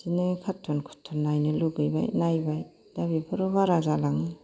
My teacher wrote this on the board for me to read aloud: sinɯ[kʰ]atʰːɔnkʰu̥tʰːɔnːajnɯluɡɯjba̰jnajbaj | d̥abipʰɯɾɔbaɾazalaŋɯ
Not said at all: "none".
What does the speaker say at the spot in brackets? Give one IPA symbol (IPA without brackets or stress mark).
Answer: kʰ